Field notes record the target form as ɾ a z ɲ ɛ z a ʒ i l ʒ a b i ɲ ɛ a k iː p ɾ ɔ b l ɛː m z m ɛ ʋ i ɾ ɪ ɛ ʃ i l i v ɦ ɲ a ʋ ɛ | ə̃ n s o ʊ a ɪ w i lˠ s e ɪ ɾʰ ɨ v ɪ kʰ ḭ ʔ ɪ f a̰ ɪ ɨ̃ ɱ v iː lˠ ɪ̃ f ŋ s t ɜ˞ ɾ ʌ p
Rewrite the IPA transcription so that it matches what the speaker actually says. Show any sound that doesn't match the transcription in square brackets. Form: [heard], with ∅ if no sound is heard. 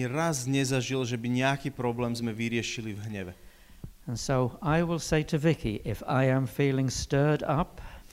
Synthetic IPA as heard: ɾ a z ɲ ɛ z a ʒ i l ʒ [ɛ] b i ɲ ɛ a k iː p ɾ ɔ b l ɛː m z m ɛ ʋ i ɾ ɪ ɛ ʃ i l i v ɦ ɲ [ɛ] ʋ ɛ | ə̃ n s o ʊ a ɪ w [ɪ] lˠ s e ɪ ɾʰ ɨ v ɪ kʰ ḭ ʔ ɪ f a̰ ɪ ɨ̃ ɱ [f] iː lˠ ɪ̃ [∅] ŋ s t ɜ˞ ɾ ʌ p